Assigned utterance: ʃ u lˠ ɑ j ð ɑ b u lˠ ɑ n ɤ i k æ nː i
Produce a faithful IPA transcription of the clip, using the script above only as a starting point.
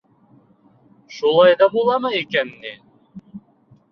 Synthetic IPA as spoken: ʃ u lˠ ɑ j ð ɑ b u lˠ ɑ m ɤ i k æ nː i